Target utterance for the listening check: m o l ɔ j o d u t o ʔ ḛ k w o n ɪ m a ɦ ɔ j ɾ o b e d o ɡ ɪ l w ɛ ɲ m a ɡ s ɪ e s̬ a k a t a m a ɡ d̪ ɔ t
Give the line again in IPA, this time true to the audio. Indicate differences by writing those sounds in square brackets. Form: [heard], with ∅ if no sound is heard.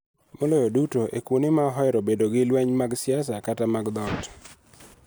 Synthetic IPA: m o l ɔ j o d u t o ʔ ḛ k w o n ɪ m a ɦ ɔ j ɾ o b e d o ɡ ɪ l w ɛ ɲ m a ɡ s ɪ [a] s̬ a k a t a m a ɡ d̪ ɔ t